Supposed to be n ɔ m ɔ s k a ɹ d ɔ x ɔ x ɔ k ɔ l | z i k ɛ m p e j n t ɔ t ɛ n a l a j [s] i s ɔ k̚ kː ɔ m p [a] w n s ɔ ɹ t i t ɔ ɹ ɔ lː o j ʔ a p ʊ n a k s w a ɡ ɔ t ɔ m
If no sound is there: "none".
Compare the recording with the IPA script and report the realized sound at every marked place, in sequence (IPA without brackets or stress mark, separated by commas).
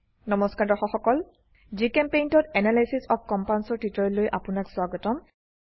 s, a